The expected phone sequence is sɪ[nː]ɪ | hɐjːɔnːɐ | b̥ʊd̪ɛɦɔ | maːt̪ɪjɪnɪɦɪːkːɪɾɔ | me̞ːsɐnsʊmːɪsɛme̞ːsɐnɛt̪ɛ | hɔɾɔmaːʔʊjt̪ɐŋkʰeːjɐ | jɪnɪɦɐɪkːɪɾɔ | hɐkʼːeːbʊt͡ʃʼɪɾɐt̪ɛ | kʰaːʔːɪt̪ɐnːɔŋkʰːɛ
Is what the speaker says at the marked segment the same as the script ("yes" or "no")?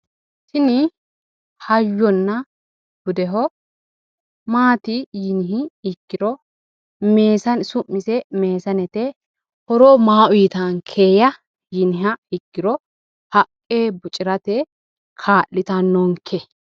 no